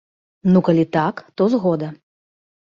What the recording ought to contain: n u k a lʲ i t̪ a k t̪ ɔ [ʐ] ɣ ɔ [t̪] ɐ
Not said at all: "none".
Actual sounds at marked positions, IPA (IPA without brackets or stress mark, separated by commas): z, d̪